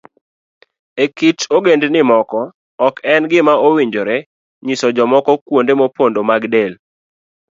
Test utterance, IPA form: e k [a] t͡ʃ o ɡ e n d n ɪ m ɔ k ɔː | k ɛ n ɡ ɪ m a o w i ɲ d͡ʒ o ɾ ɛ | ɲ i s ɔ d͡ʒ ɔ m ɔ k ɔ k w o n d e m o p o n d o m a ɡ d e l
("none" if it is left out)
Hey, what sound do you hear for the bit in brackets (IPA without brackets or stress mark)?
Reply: i